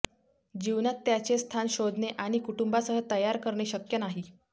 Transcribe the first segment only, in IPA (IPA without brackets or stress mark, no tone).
d͡ʑ